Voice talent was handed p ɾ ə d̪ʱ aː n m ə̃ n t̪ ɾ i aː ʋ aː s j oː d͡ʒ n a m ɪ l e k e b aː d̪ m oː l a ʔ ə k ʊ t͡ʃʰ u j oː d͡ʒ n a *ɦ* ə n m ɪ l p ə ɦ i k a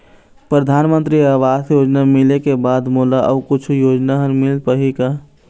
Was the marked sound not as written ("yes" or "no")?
no